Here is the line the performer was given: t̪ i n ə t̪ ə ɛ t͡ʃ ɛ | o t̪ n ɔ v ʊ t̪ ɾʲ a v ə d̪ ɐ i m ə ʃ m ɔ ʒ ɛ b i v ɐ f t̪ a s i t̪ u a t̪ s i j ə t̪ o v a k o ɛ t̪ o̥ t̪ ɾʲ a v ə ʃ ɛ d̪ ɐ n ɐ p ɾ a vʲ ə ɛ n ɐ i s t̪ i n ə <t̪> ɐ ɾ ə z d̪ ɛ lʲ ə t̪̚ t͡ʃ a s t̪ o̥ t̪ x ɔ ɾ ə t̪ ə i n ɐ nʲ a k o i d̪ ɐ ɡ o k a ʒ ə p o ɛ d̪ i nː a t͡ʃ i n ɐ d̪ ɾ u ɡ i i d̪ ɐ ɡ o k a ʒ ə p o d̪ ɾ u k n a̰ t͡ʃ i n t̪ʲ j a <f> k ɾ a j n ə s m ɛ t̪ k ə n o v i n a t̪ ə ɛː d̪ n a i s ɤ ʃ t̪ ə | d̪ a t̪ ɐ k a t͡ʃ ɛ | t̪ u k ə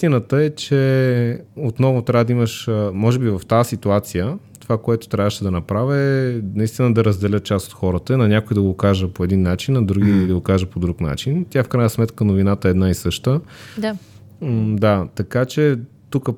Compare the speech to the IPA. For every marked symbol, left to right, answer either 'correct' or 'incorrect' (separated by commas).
incorrect, correct